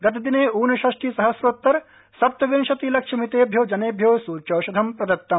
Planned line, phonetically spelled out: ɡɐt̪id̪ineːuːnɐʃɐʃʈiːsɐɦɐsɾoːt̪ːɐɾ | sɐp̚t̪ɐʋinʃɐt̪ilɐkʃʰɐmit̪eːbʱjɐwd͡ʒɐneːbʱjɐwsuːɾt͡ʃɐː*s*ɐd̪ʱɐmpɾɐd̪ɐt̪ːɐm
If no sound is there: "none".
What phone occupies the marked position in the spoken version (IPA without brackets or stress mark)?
ʃ